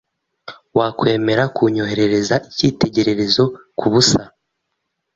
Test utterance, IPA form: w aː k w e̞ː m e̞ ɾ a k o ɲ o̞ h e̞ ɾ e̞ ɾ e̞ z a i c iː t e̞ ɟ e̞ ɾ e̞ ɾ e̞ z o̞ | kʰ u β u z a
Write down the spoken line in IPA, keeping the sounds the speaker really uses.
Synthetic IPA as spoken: w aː k w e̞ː m e̞ ɾ a k u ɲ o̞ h e̞ ɾ e̞ ɾ e̞ z a i c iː t e̞ ɟ e̞ ɾ e̞ ɾ e̞ z o̞ | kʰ u β u s a